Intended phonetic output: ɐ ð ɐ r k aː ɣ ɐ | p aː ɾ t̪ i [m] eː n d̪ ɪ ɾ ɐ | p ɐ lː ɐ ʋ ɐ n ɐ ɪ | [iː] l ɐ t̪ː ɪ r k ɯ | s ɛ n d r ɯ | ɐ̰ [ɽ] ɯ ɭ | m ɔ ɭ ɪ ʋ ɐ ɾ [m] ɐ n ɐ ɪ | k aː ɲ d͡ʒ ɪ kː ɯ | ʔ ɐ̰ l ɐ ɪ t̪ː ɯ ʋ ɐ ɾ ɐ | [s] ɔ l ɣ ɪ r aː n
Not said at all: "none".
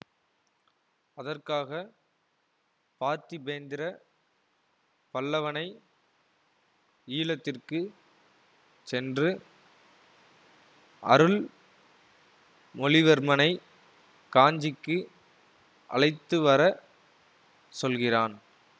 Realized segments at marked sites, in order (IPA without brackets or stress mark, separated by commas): b, iː, ɾ, m, s